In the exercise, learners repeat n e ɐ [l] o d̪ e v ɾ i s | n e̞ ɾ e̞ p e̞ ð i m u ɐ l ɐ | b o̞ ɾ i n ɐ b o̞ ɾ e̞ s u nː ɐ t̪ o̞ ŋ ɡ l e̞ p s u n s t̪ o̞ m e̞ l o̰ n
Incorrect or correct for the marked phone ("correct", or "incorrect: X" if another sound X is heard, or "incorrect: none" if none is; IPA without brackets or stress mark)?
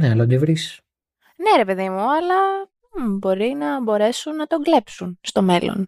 correct